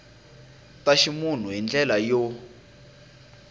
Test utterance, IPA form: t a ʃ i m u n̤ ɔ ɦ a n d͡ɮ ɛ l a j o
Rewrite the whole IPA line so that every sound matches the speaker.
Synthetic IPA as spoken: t a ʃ i m u n̤ u ɦ i n d͡ɮ ɛ l a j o